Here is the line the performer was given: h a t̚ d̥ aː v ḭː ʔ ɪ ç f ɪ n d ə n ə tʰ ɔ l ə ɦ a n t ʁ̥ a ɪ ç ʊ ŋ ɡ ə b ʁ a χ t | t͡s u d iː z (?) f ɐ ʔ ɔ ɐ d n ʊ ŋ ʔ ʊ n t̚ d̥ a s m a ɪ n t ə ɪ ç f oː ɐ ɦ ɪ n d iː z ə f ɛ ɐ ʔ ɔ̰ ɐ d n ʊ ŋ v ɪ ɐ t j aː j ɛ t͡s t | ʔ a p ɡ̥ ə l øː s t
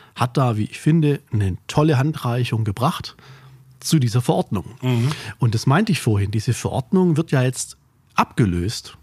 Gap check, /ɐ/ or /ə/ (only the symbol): ɐ